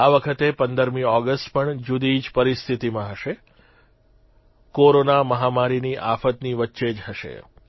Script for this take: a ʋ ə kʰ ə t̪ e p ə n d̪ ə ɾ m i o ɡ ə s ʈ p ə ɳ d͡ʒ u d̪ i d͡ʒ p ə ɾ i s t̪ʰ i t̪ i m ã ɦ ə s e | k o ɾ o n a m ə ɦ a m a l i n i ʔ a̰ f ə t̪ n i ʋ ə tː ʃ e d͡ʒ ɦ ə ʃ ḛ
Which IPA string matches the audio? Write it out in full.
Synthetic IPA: a ʋ ə kʰ ə t̪ e p ə n d̪ ə ɾ m i ɔ ɡ ə s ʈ p ə ɳ d͡ʒ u d̪ i d͡ʒ p ə ɾ i s t̪ʰ i t̪ i m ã ɦ ə ʃ e | k o ɾ o n a m ə ɦ a m a ɾ i n i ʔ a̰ f ə t̪ n i ʋ ə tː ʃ e d͡ʒ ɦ ə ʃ ḛ